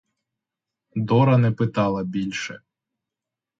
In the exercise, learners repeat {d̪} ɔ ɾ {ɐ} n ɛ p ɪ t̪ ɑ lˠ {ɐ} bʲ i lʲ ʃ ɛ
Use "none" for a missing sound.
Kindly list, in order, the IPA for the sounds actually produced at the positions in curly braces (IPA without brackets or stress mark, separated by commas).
d̪, ɐ, ɐ